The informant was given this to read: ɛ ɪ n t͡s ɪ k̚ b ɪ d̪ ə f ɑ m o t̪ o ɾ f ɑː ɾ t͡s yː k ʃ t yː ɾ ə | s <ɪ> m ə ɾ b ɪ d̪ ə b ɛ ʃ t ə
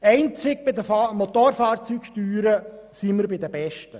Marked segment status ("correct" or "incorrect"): incorrect